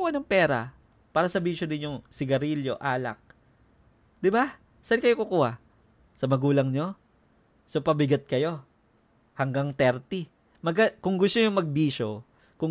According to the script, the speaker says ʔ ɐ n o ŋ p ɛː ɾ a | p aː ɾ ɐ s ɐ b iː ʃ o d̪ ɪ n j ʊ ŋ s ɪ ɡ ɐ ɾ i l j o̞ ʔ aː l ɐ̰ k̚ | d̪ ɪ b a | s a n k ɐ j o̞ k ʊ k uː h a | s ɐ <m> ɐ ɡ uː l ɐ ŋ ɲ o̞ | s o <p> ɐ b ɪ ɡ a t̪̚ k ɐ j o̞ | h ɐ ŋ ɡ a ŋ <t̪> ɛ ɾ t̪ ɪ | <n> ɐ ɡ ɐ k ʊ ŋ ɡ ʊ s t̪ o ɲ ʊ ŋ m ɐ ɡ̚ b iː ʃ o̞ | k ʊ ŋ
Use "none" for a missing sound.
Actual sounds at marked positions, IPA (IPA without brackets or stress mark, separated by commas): m, p, t̪, m